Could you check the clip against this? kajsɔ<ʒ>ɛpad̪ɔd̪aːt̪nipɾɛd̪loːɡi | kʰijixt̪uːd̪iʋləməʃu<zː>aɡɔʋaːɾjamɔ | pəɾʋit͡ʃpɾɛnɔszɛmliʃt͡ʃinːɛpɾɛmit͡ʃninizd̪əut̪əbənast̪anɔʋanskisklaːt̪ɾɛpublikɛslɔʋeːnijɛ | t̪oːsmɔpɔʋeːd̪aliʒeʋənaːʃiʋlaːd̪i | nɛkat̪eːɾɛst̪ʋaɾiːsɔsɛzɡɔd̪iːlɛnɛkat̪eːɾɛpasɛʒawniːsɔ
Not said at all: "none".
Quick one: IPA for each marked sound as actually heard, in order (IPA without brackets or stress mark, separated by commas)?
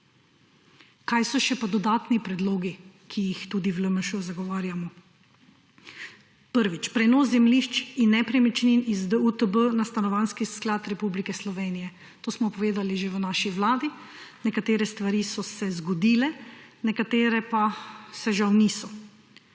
ʃ, z